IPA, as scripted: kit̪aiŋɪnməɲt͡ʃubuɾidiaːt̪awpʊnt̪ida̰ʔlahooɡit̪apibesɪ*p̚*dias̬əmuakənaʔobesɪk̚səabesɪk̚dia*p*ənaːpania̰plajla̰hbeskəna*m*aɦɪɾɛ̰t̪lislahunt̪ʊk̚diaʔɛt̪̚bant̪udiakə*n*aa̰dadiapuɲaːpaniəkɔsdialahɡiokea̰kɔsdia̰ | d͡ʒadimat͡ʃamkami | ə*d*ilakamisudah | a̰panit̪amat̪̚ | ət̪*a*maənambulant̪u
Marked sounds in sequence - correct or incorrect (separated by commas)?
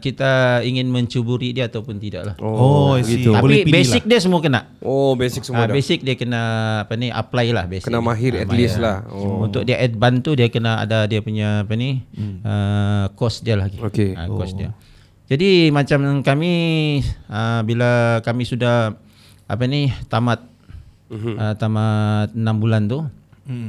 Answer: incorrect, incorrect, correct, correct, incorrect, correct